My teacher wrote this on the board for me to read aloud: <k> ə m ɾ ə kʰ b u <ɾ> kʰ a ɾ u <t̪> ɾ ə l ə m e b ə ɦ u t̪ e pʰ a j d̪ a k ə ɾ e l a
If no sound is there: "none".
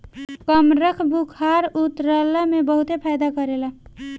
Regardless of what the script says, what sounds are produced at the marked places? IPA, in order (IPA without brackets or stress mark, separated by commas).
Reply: k, none, t̪